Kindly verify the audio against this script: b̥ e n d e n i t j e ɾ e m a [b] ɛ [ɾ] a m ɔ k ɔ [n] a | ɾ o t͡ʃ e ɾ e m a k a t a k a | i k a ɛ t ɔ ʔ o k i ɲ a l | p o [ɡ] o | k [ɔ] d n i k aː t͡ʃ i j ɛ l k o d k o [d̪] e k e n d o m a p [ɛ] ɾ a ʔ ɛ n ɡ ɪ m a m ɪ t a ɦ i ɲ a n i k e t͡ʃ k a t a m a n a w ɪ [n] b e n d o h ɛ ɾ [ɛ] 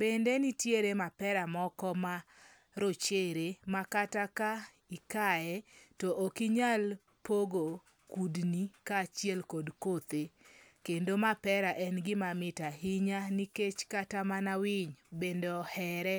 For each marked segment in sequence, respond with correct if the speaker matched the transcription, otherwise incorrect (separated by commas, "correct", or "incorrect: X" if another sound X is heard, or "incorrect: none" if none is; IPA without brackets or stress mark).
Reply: incorrect: p, correct, incorrect: m, correct, incorrect: u, incorrect: t̪, correct, incorrect: ɲ, correct